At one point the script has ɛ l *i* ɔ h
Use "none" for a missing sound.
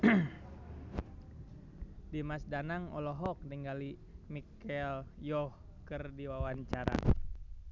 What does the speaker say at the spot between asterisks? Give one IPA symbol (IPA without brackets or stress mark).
j